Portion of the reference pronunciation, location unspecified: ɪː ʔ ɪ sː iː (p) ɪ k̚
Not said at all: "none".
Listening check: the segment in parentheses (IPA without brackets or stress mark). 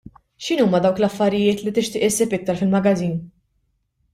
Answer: p